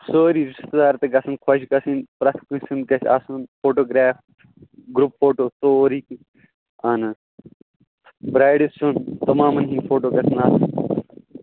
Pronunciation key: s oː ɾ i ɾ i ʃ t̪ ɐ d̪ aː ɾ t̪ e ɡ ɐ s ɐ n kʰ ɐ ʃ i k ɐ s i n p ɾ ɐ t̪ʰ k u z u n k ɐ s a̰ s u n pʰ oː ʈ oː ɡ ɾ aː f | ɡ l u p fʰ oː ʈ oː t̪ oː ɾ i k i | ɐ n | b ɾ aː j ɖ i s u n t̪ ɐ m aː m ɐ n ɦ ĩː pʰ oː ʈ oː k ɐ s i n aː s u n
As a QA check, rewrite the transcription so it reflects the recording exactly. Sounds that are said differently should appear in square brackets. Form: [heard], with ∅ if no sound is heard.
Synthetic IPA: s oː ɾ i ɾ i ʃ t̪ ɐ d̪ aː ɾ t̪ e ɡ ɐ s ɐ n kʰ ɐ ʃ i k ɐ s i n p ɾ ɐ t̪ʰ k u [s] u n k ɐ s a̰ s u n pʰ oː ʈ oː ɡ ɾ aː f | ɡ [ɾ] u p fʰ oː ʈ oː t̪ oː ɾ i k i | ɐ n | b ɾ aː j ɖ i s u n t̪ ɐ m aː m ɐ n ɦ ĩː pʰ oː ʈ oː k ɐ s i n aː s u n